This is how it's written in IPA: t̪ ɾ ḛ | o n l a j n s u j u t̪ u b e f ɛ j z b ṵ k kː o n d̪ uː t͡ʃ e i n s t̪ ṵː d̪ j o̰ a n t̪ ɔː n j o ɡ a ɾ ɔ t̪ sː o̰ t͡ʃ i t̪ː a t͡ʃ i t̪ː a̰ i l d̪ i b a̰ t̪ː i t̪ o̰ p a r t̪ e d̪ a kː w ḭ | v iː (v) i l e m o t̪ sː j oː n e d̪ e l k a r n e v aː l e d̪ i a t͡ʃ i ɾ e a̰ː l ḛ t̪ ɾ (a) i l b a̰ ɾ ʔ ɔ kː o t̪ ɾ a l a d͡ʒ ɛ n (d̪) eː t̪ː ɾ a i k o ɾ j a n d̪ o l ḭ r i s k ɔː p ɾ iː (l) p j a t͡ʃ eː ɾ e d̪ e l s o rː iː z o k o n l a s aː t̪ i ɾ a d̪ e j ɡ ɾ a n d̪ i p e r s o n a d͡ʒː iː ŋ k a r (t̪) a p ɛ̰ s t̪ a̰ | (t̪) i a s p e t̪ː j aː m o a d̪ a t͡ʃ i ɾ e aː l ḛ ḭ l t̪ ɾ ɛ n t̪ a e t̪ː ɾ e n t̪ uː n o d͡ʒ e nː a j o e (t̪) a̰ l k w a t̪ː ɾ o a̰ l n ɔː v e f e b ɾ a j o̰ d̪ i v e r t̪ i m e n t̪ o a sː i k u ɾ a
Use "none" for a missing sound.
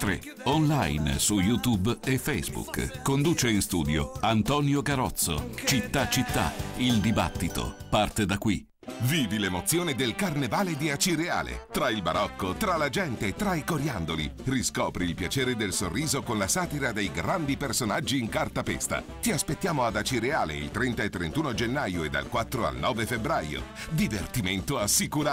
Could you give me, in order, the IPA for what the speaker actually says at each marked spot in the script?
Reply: v, a, t̪, l, t̪, t̪, d̪

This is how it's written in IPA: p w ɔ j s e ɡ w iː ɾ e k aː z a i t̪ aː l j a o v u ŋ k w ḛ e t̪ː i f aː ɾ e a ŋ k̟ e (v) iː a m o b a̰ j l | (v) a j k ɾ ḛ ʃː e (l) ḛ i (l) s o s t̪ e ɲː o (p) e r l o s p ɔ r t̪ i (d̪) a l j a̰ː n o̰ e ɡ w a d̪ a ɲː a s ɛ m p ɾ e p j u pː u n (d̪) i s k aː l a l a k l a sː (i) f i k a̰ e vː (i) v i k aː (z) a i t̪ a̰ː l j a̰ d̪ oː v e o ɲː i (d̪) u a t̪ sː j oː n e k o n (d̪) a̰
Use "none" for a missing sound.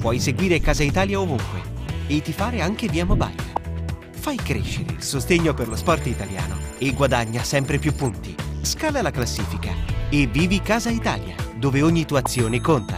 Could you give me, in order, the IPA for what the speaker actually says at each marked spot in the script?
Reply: v, f, ɾ, l, p, t̪, t̪, iː, iː, z, t̪, t̪

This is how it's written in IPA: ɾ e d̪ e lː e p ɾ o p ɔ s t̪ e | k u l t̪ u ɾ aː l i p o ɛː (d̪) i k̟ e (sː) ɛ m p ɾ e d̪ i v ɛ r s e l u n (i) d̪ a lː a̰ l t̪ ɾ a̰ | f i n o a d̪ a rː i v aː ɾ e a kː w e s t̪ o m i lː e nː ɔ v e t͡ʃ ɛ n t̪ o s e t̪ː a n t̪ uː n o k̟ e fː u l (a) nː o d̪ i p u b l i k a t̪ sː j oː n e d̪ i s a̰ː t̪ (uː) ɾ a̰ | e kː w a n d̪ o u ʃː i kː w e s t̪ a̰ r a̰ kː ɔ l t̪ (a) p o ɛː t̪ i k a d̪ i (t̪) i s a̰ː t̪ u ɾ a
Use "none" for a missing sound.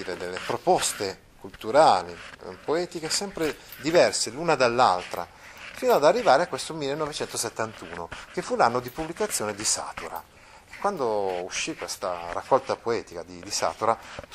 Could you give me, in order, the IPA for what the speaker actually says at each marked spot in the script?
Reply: t̪, s, a, a, u, a, d̪

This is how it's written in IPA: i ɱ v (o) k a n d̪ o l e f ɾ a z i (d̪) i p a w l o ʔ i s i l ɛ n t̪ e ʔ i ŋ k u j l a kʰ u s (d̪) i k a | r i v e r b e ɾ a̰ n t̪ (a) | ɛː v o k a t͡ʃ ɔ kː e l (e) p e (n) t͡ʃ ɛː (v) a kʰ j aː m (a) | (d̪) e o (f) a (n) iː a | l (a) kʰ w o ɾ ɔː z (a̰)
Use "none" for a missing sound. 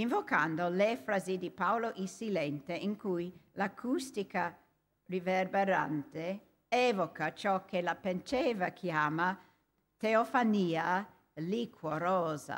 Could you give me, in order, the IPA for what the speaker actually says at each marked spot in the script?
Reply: o, d̪, t̪, e, a, n, v, a, t̪, f, n, i, a̰

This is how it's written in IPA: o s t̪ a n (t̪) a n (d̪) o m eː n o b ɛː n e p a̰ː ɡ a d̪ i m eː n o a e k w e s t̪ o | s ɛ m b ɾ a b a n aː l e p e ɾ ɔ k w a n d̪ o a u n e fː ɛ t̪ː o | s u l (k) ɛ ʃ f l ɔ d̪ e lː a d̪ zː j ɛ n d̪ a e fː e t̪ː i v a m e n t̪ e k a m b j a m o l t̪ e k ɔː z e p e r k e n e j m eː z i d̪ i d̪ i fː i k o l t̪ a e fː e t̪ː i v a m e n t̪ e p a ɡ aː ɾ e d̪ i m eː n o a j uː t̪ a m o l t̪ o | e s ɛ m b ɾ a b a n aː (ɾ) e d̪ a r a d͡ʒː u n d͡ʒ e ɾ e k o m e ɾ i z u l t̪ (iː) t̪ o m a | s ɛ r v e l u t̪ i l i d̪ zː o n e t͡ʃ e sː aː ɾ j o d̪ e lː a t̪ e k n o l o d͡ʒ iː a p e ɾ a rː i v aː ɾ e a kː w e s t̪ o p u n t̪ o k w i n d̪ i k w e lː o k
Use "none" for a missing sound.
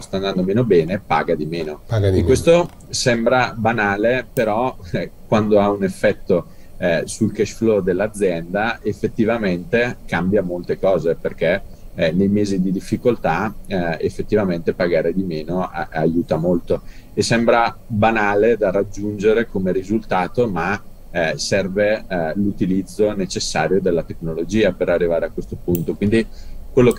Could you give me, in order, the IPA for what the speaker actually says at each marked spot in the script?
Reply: d̪, d̪, k, l, aː

